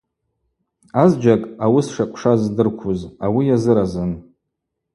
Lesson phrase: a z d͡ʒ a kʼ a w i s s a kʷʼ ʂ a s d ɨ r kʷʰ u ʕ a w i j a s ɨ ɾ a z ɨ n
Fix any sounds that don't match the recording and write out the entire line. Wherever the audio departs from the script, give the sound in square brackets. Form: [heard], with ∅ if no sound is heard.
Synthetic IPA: a z d͡ʒ a kʼ a w i s [ʂ] a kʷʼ ʂ a [z] d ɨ r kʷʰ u [z] a w i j a [z] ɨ ɾ a z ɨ n